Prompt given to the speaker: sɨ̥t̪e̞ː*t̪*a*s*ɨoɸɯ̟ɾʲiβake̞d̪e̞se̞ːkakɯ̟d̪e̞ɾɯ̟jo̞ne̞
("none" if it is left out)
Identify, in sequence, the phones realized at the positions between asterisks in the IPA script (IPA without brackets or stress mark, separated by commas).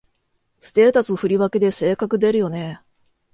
t̪, t͡s